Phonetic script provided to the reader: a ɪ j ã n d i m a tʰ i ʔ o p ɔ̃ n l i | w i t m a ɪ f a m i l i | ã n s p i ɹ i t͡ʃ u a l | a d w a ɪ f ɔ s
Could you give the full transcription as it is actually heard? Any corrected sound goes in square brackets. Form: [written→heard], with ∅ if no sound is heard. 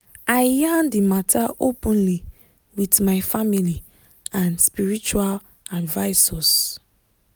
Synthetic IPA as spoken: a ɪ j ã n d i m a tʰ [i→a] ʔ o p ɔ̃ n l i | w i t m a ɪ f a m i l i | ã n s p i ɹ i t͡ʃ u a l | a d [w→v] a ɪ [f→s] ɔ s